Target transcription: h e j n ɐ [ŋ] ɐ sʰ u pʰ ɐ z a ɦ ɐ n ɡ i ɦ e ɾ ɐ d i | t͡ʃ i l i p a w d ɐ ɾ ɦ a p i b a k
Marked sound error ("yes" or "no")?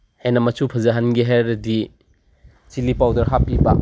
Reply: yes